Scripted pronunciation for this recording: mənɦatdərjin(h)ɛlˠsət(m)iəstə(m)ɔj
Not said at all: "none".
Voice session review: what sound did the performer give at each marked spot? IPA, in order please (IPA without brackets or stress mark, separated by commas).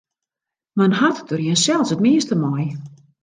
s, m, m